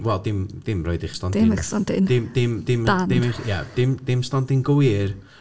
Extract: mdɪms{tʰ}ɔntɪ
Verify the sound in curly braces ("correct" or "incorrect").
incorrect